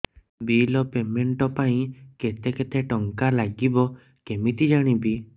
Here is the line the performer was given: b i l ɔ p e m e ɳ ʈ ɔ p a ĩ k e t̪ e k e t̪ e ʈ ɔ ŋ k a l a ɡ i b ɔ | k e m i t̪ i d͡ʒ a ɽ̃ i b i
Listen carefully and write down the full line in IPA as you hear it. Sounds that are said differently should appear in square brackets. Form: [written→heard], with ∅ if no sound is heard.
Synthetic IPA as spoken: b i l ɔ p e m e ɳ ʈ ɔ p a ĩ k e t̪ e k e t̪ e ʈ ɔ ŋ k a l a ɡ i b ɔ | k e m i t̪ i d͡ʒ a ɽ̃ i b i